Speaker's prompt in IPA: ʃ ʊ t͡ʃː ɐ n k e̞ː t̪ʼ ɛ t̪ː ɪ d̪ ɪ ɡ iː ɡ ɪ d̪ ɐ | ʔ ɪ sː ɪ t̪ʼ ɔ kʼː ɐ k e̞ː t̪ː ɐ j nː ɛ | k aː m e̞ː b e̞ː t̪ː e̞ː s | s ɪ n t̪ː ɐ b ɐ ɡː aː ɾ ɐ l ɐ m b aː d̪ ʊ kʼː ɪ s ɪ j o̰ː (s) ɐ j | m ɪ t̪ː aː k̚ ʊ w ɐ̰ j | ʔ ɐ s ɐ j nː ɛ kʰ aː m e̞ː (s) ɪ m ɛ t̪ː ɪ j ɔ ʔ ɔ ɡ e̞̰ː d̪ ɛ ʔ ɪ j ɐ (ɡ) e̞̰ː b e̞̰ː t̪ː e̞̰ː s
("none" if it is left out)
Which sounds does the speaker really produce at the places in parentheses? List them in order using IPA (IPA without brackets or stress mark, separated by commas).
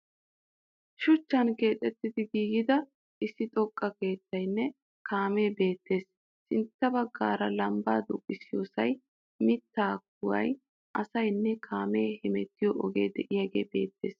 s, h, ɡ